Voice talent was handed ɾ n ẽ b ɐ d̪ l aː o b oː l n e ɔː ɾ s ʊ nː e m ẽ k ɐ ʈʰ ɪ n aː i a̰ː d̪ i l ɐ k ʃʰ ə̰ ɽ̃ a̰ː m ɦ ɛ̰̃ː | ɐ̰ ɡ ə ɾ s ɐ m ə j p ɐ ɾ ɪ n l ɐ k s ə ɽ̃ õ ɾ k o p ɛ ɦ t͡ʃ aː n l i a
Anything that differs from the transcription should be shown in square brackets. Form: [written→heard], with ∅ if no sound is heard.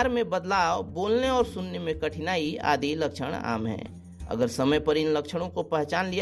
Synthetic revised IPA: ɾ [n→m] ẽ b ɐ d̪ l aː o b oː l n e ɔː ɾ s ʊ nː e m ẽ k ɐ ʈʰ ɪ n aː i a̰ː d̪ i l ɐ k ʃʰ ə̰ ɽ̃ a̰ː m ɦ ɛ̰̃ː | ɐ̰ ɡ ə ɾ s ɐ m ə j p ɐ ɾ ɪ n l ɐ k [s→ʃ] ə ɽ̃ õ [ɾ→∅] k o p ɛ ɦ t͡ʃ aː n l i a